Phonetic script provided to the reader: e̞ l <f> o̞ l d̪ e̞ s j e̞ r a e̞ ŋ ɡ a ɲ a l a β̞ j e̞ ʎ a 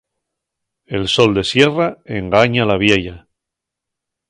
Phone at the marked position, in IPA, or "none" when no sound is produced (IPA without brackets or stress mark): s